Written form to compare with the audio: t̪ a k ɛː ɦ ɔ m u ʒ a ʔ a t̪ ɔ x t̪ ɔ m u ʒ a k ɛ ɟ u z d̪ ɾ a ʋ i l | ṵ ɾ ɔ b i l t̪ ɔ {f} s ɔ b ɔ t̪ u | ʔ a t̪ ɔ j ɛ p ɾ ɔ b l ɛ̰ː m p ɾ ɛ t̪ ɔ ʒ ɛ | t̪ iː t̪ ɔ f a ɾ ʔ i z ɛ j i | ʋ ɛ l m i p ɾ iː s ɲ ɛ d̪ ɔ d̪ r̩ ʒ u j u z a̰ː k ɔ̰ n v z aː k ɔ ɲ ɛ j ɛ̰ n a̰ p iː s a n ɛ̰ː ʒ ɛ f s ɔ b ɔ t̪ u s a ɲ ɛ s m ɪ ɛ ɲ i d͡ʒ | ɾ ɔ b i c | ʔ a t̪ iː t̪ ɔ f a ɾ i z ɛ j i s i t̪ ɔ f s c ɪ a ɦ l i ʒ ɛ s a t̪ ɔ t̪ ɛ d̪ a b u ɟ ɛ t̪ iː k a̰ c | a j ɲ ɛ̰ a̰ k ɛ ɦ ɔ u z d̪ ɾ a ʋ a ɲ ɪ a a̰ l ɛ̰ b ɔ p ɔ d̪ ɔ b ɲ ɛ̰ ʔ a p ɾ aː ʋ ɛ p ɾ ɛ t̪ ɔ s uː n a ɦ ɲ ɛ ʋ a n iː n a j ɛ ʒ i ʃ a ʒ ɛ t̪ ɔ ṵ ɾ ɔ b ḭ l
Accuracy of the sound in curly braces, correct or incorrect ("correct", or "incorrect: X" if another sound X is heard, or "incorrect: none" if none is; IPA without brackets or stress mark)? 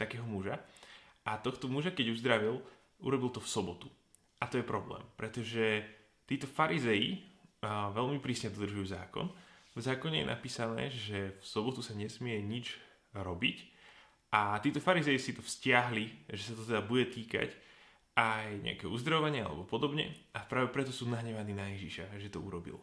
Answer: correct